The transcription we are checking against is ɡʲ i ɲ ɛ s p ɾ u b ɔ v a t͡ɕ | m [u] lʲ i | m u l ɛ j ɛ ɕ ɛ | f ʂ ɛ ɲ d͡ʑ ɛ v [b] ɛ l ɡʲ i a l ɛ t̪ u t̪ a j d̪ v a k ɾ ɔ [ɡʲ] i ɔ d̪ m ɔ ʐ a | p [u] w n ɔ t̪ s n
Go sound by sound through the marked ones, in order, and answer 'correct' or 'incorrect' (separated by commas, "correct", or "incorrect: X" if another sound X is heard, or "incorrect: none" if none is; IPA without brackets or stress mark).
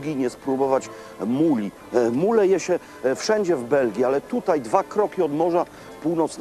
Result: correct, correct, incorrect: kʲ, correct